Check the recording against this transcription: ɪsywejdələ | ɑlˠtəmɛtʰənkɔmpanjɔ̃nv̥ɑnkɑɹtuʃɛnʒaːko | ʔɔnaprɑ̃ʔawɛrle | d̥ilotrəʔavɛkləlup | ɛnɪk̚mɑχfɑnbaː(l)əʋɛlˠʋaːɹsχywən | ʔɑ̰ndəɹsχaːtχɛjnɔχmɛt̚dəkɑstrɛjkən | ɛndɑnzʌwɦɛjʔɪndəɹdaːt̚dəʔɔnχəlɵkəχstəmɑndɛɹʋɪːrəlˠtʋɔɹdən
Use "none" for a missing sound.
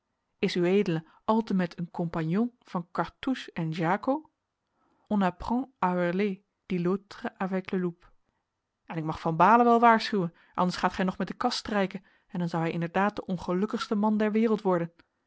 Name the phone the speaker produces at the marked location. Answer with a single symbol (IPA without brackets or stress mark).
l